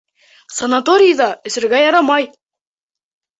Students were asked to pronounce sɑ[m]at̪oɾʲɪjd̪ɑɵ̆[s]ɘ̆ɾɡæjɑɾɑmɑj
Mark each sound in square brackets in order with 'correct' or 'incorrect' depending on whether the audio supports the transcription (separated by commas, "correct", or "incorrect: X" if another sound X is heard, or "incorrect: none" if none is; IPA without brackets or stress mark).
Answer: incorrect: n, correct